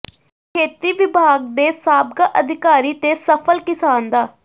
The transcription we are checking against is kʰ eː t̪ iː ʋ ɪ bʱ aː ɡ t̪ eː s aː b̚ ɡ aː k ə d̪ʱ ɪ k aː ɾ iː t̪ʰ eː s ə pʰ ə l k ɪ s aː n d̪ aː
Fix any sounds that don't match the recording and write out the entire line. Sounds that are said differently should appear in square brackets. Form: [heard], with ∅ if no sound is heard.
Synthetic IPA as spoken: kʰ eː t̪ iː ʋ ɪ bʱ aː ɡ [d̪] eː s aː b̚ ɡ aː [ʔ] ə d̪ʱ ɪ k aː ɾ iː [t̪] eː s ə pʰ ə l k ɪ s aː n d̪ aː

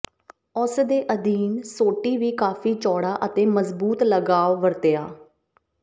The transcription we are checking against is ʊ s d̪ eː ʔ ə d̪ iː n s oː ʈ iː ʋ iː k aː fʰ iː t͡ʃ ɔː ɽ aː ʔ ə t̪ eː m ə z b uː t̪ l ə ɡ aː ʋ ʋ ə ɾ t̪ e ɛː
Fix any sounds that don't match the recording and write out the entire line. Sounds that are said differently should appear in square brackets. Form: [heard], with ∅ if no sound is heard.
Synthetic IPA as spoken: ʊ s d̪ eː ʔ ə d̪ iː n s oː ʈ iː ʋ iː k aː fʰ iː t͡ʃ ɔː ɽ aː ʔ ə t̪ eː m ə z b uː t̪ l ə ɡ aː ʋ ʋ ə ɾ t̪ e [aː]

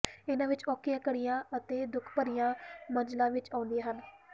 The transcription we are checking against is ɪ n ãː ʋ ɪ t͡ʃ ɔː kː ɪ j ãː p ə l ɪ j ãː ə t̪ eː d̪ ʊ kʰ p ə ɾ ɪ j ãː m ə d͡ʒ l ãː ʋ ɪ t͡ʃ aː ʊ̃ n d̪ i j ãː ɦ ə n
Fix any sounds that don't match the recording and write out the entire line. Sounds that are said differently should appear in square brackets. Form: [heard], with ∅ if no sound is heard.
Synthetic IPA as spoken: ɪ n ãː ʋ ɪ t͡ʃ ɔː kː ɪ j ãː [k] ə [ɽ] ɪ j ãː ə t̪ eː d̪ ʊ kʰ p ə ɾ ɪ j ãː m ə d͡ʒ l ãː ʋ ɪ t͡ʃ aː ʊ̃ n d̪ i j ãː ɦ ə n

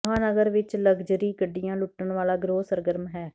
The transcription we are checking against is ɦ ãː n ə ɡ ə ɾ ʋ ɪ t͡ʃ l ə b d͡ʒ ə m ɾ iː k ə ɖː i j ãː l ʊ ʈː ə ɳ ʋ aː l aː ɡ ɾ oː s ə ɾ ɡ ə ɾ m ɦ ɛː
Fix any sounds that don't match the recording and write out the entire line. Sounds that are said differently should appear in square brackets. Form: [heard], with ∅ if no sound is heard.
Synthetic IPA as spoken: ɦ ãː n ə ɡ ə ɾ ʋ ɪ t͡ʃ l ə [ɡ] d͡ʒ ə [∅] ɾ iː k ə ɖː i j ãː l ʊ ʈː ə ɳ ʋ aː l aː ɡ ɾ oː s ə ɾ ɡ ə ɾ m ɦ ɛː

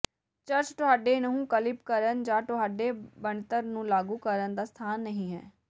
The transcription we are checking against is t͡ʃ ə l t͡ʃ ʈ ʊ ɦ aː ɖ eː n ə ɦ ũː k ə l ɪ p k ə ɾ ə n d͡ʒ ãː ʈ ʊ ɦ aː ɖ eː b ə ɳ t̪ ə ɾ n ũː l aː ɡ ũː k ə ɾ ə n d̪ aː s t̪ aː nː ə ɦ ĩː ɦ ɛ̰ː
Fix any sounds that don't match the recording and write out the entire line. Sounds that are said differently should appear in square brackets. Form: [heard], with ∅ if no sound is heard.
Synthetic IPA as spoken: t͡ʃ ə [ɾ] t͡ʃ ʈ ʊ ɦ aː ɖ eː n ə ɦ ũː k ə l ɪ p k ə ɾ ə n d͡ʒ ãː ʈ ʊ ɦ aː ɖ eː b ə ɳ t̪ ə ɾ n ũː l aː ɡ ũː k ə ɾ ə n d̪ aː s [t̪ʰ] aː nː ə ɦ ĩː ɦ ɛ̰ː

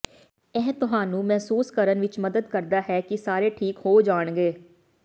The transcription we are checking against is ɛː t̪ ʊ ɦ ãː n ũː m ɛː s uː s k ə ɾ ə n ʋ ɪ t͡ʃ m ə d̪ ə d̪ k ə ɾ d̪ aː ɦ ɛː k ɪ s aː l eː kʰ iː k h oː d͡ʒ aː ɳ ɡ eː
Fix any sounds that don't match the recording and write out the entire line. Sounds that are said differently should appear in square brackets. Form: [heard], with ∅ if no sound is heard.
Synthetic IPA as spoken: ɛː t̪ ʊ ɦ [aː] n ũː m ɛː s uː s k ə ɾ ə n ʋ ɪ t͡ʃ m ə d̪ ə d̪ k ə ɾ d̪ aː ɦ ɛː k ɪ s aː [ɾ] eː [ʈʰ] iː k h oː d͡ʒ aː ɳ ɡ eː

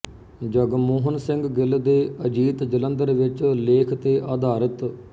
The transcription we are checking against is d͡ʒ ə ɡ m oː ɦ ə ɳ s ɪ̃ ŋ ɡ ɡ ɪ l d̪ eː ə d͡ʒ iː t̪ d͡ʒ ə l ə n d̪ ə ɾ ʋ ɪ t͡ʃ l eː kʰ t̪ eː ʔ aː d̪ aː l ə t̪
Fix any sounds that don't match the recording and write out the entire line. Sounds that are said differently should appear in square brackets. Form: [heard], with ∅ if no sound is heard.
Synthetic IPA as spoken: d͡ʒ ə ɡ m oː ɦ ə [n] s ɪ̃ ŋ ɡ ɡ ɪ l d̪ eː ə d͡ʒ iː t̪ d͡ʒ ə l ə n d̪ ə ɾ ʋ ɪ t͡ʃ l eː kʰ t̪ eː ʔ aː d̪ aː [ɾ] ə t̪

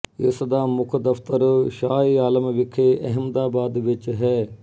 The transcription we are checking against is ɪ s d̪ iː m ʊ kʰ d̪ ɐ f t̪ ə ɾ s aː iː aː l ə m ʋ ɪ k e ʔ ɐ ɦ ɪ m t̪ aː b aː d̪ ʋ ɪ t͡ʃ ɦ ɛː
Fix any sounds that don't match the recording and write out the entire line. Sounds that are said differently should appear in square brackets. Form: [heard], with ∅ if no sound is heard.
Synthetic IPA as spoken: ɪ s d̪ [aː] m ʊ kʰ d̪ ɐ f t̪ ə ɾ [ʃ] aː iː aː l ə m ʋ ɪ [kʰ] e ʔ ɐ ɦ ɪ m [d̪] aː b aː d̪ ʋ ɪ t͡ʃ ɦ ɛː

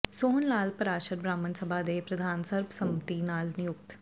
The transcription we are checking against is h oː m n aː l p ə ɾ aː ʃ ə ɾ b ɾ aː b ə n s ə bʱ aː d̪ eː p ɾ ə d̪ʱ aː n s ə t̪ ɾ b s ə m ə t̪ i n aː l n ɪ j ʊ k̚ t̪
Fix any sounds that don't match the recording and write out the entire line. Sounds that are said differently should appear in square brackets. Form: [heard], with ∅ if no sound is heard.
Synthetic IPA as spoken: [s] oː [n] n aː l p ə ɾ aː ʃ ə ɾ b ɾ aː [m] ə n s ə bʱ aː d̪ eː p ɾ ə d̪ʱ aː n s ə [∅] ɾ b s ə m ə t̪ i n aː l n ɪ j ʊ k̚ t̪

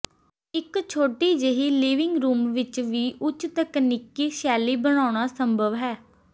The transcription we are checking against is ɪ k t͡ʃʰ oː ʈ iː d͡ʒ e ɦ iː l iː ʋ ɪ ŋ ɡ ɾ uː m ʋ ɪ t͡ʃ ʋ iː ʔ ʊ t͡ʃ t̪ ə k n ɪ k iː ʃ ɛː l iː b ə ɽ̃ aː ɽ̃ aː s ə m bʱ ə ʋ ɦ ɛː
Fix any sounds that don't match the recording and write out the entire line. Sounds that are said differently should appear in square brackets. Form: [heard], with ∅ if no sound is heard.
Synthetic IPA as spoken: ɪ k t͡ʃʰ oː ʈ iː d͡ʒ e ɦ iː l iː ʋ ɪ ŋ ɡ ɾ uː m ʋ ɪ t͡ʃ ʋ iː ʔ ʊ t͡ʃ t̪ ə k n ɪ k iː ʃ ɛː l iː b ə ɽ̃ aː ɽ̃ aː s ə m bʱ ə ʋ ɦ ɛː

